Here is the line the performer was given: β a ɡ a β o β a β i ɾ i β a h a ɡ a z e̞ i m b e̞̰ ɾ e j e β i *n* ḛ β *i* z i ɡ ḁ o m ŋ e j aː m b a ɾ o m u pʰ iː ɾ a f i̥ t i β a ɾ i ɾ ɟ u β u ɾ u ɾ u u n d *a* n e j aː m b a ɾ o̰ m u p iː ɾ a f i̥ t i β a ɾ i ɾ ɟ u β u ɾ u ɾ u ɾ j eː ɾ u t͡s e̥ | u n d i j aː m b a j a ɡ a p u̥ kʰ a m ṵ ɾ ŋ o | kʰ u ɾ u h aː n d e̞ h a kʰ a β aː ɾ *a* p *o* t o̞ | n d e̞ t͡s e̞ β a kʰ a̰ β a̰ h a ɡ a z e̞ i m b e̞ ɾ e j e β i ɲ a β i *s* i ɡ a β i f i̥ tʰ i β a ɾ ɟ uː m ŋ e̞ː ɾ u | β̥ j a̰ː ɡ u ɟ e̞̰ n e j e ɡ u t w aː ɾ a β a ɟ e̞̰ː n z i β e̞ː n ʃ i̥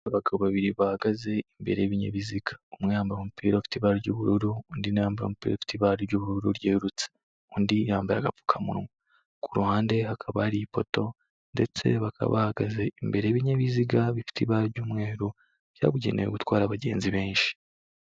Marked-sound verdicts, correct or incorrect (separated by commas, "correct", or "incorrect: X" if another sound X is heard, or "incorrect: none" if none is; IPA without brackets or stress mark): incorrect: ɲ, correct, incorrect: i, incorrect: i, correct, incorrect: z